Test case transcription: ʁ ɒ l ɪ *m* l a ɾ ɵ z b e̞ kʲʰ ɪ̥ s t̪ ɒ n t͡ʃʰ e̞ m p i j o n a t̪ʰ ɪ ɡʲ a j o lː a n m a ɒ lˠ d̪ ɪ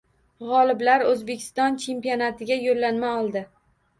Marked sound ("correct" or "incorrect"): incorrect